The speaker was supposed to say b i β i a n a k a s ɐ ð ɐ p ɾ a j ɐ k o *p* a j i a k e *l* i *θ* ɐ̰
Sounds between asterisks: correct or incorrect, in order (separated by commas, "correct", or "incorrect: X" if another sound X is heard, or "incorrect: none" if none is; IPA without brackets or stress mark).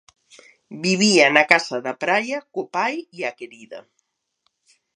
correct, incorrect: ɾ, incorrect: ð